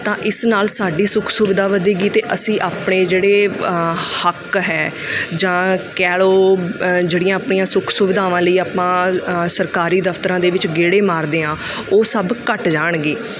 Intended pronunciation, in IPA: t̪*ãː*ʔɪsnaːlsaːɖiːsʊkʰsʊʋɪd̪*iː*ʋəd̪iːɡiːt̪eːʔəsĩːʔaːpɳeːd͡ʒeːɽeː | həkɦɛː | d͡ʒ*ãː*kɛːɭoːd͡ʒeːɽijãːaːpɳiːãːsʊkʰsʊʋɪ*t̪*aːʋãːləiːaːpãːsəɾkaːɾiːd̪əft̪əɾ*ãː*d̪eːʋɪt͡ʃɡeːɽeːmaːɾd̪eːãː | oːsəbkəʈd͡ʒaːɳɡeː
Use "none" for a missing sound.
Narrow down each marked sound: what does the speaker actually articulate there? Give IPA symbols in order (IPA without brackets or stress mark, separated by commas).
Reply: ãː, aː, ãː, d̪, ãː